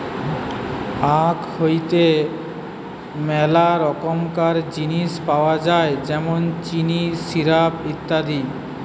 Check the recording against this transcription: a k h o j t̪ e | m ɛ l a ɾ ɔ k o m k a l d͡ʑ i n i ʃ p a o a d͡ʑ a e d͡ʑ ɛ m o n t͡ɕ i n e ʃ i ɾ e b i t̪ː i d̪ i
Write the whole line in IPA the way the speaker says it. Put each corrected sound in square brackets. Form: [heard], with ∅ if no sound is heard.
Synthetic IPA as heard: a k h o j t̪ e | m ɛ l a ɾ ɔ k o m k a [ɾ] d͡ʑ i n i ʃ p a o a d͡ʑ a e d͡ʑ ɛ m o n t͡ɕ i n [i] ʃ i ɾ [a] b i t̪ː [a] d̪ i